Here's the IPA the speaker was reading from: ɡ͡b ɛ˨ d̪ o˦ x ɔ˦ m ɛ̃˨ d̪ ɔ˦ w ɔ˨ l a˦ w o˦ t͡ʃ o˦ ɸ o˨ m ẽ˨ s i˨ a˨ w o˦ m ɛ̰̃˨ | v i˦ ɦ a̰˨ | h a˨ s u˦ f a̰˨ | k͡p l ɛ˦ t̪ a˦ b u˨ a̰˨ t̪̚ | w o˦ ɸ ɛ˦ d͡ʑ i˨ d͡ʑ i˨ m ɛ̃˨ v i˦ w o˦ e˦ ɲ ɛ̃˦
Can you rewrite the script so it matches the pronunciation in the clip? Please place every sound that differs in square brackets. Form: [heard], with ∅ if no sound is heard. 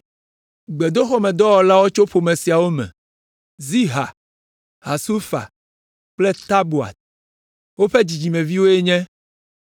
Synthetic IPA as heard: ɡ͡b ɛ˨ d̪ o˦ x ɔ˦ m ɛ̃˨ d̪ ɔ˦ w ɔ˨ l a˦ w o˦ t͡ʃ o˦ ɸ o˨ m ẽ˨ s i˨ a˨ w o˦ m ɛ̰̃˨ | [z] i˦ ɦ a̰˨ | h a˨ s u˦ f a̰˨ | k͡p l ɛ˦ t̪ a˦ b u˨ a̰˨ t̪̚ | w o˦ ɸ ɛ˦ d͡ʑ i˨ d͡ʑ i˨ m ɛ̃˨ v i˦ w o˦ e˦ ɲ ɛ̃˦

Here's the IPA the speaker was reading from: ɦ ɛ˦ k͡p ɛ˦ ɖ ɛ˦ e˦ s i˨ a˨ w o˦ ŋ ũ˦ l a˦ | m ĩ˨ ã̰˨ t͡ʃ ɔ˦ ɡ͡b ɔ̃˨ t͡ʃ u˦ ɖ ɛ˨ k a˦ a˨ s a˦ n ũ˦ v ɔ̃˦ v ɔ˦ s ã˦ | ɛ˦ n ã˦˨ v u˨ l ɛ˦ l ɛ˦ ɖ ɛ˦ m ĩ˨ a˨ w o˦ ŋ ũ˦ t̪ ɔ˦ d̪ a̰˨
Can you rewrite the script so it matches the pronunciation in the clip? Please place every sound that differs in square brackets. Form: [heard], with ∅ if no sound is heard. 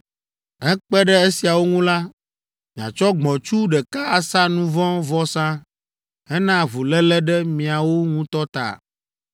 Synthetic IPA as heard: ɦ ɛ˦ k͡p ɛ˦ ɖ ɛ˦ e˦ s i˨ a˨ w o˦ ŋ ũ˦ l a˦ | m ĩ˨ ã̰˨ t͡ʃ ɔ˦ ɡ͡b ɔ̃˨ t͡ʃ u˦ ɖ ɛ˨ k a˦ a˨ s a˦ n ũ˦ v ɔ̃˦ v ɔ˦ s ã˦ | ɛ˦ n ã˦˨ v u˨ l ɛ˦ l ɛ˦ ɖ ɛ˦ m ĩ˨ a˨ w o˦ ŋ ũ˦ t̪ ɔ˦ [t̪] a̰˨

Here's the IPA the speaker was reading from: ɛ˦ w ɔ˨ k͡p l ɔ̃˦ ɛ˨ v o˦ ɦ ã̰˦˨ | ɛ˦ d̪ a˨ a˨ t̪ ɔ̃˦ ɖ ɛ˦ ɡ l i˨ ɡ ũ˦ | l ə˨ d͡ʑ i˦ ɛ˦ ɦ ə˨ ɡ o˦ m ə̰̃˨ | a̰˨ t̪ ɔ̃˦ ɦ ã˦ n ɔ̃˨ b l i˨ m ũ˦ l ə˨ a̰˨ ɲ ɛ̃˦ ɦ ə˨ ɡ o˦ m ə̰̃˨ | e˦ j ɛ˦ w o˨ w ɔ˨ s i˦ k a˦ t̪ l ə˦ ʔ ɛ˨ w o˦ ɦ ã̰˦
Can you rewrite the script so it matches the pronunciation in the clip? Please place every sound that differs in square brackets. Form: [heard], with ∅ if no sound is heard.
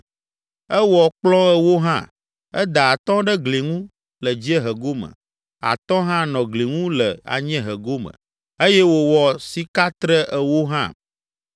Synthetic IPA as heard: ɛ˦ w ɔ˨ k͡p l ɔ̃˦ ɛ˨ [w] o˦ ɦ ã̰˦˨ | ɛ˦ d̪ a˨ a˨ t̪ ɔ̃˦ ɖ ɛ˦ ɡ l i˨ [ŋ] ũ˦ | l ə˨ d͡ʑ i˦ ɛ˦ ɦ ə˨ ɡ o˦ m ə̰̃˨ | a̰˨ t̪ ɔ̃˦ ɦ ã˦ n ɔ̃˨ [ɡ] l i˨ [ŋ] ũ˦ l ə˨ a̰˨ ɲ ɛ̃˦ ɦ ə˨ ɡ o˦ m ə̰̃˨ | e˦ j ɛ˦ w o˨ w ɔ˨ s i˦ k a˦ t̪ [ɾ] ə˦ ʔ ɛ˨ w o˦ ɦ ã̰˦

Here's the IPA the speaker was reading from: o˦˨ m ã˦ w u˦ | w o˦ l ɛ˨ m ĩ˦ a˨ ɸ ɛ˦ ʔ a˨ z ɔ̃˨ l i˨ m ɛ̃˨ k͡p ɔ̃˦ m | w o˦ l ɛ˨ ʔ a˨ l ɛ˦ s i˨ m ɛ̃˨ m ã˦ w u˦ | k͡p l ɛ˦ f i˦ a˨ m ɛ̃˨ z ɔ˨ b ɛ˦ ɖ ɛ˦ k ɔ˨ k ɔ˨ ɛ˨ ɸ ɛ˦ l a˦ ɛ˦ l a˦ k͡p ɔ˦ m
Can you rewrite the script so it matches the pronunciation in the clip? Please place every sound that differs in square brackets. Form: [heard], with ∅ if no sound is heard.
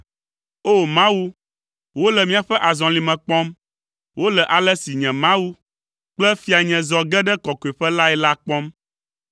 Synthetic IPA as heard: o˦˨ m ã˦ w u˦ | w o˦ l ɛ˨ m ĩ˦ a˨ ɸ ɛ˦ ʔ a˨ z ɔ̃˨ l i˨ m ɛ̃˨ k͡p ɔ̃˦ m | w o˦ l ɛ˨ ʔ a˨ l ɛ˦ s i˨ [ɲ] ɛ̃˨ m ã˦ w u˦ | k͡p l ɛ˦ f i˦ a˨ [ɲ] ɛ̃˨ z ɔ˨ [ɡ] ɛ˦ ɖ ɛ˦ k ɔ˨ k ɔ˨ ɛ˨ ɸ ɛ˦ l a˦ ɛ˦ l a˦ k͡p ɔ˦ m

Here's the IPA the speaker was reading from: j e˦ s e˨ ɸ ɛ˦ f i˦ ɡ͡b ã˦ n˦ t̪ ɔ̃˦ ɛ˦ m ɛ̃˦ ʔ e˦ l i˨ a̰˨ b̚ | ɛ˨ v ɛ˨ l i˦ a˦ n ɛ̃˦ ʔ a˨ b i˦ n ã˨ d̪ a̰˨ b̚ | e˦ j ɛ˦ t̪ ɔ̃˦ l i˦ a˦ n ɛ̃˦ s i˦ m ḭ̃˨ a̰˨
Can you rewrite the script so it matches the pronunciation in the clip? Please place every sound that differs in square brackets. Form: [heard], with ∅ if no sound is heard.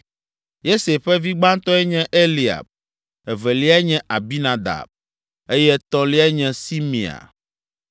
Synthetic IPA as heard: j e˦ s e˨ ɸ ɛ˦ [v] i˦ ɡ͡b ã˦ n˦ t̪ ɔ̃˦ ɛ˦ [ɲ] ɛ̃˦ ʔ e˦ l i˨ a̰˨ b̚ | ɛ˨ v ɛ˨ l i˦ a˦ [ɲ] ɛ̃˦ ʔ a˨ b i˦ n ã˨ d̪ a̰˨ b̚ | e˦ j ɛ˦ t̪ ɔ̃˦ l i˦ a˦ [ɲ] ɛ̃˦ s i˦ m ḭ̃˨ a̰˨

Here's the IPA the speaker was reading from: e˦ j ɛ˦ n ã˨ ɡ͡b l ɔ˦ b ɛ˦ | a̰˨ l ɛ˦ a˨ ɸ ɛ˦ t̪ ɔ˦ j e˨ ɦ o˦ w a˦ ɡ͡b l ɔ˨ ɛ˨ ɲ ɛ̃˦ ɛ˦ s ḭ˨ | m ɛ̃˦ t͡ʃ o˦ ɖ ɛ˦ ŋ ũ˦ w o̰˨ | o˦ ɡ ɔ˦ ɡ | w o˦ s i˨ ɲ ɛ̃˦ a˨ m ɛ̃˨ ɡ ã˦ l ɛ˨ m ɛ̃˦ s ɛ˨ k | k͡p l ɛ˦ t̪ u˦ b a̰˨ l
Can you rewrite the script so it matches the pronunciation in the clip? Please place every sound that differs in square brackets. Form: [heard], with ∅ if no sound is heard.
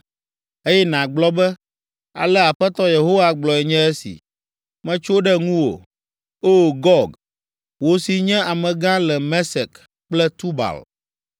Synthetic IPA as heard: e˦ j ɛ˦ n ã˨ ɡ͡b l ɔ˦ b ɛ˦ | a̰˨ l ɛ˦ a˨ ɸ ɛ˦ t̪ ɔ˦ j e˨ ɦ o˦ w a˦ ɡ͡b l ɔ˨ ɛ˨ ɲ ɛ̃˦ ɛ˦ s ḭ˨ | m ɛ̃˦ t͡ʃ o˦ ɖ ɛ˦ ŋ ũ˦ w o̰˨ | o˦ ɡ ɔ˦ ɡ | w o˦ s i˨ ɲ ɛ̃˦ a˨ m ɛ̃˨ ɡ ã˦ l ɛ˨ m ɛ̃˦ s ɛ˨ k | k͡p l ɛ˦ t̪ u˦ b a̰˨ l

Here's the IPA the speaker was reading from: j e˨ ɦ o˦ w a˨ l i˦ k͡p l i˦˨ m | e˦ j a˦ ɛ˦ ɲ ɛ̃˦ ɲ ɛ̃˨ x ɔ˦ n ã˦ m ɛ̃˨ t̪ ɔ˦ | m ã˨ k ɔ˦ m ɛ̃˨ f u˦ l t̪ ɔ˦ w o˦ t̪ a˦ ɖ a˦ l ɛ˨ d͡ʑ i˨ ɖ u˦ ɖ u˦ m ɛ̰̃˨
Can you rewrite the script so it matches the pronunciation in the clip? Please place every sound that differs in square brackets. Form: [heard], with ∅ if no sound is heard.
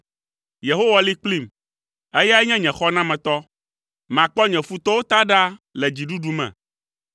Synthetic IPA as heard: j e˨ ɦ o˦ w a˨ l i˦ k͡p l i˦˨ m | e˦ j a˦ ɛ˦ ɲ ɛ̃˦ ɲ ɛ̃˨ x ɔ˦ n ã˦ m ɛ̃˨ t̪ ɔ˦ | m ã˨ [k͡p] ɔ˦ [ɲ] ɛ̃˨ f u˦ [∅] t̪ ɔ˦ w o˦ t̪ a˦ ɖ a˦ l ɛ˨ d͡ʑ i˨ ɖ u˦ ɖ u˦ m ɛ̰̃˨

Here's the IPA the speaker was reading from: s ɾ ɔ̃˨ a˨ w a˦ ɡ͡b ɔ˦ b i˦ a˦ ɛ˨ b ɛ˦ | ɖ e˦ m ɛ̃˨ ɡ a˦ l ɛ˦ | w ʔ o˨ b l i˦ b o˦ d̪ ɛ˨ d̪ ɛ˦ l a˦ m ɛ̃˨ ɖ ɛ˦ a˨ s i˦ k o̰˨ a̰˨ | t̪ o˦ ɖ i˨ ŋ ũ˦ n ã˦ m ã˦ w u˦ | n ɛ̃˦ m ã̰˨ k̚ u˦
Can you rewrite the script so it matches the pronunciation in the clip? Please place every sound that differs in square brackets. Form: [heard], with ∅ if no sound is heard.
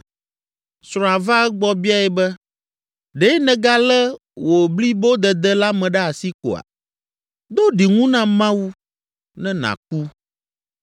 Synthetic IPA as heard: s ɾ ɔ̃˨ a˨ [v] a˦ ɡ͡b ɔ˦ b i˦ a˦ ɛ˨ b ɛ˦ | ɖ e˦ [n] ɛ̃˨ ɡ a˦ l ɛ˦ | w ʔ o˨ b l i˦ b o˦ d̪ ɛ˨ d̪ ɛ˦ l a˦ m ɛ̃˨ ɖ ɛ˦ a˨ s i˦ k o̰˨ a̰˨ | [d̪] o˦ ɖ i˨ ŋ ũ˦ n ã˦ m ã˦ w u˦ | n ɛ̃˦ [n] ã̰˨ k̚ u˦

